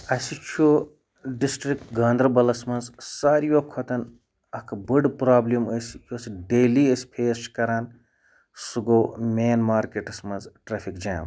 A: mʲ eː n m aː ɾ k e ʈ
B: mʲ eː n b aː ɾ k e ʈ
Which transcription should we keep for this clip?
A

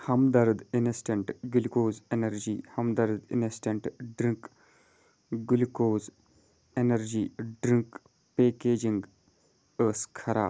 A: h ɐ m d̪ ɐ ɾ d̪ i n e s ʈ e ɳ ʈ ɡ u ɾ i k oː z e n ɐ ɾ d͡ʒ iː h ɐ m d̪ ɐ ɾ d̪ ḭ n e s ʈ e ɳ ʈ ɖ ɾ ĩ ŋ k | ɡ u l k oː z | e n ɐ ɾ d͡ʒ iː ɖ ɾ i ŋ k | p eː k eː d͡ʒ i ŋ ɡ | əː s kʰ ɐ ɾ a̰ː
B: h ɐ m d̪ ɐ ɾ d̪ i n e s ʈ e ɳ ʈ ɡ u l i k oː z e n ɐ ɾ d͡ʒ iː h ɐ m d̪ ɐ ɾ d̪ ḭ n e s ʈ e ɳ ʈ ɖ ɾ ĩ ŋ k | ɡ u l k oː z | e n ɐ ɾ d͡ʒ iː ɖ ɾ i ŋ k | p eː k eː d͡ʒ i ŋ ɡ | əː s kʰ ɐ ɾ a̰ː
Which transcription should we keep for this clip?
B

